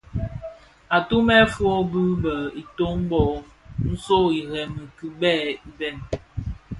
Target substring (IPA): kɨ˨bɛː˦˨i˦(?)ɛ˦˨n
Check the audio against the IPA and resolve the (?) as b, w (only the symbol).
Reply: b